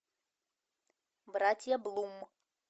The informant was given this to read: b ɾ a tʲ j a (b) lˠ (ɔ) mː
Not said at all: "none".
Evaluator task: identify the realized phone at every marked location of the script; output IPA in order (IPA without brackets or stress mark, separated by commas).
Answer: b, u